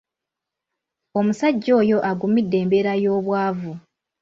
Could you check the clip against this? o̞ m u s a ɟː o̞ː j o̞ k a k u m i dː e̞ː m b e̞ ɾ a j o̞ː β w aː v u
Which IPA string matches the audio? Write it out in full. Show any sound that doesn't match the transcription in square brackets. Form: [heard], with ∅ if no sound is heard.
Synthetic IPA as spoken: o̞ m u s a ɟː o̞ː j o̞ [ʔ] a [ɡ] u m i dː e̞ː m b e̞ ɾ a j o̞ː β w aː v u